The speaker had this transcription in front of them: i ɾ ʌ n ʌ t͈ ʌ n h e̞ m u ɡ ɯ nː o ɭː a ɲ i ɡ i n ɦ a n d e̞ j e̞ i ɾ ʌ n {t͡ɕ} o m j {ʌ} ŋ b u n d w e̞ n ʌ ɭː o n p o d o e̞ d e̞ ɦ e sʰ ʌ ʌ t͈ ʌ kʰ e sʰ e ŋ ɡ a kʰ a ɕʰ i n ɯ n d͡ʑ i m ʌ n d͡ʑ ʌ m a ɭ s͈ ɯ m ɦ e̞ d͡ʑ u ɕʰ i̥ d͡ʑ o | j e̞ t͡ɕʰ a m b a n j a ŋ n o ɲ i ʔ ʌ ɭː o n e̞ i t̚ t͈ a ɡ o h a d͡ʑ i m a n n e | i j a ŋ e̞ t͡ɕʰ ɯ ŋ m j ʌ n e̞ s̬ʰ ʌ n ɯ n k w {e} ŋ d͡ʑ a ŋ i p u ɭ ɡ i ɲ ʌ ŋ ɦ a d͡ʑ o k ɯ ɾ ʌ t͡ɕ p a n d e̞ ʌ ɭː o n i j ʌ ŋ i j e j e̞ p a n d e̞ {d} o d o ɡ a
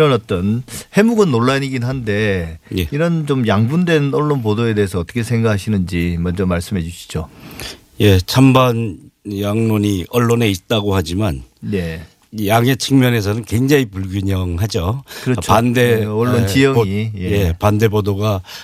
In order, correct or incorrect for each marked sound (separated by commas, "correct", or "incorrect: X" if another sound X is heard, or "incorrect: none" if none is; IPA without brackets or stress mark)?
correct, incorrect: a, correct, incorrect: b